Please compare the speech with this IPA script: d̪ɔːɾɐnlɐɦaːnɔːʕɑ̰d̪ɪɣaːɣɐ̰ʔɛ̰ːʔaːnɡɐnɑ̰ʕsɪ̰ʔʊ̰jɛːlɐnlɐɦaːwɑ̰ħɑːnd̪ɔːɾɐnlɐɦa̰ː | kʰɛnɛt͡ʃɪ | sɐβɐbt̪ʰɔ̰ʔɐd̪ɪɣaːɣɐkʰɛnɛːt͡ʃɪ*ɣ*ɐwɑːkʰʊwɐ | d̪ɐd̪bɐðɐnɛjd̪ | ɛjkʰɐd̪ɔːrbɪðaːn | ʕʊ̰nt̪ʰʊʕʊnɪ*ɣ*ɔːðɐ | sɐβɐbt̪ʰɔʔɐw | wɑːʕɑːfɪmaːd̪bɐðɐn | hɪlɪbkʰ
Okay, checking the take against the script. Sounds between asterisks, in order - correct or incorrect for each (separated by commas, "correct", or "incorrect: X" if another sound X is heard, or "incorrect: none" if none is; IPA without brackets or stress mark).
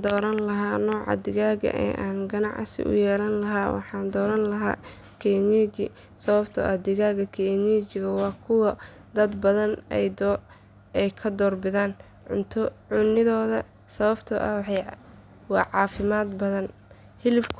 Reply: correct, incorrect: ð